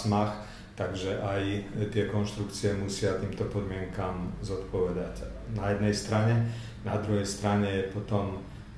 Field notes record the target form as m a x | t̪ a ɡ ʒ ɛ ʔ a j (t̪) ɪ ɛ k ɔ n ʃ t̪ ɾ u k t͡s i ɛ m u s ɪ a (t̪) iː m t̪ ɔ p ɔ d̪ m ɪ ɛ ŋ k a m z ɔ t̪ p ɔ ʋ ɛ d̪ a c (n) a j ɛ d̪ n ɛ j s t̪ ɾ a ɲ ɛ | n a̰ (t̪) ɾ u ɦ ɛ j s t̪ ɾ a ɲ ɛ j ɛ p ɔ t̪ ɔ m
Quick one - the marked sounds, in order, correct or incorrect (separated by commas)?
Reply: correct, correct, correct, incorrect